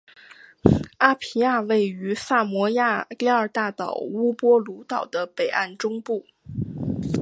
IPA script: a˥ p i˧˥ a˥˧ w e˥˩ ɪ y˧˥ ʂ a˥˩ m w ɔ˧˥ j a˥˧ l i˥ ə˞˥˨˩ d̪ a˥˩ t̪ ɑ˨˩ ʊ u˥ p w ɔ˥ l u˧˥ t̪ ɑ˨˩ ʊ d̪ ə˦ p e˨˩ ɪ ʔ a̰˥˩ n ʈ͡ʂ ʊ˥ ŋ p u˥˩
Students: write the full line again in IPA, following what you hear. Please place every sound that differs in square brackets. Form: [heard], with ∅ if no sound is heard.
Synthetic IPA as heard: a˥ [pʰ] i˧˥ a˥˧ w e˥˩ ɪ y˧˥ [f] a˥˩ m w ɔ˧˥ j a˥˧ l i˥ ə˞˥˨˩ [t̪] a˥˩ t̪ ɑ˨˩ ʊ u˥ p w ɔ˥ l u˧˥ t̪ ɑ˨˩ ʊ d̪ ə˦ p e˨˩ ɪ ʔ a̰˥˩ n ʈ͡ʂ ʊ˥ ŋ p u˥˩